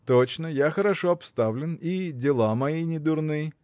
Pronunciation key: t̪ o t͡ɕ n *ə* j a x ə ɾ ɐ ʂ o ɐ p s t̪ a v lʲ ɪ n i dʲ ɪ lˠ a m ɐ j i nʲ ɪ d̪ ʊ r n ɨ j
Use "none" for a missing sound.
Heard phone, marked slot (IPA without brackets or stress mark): ə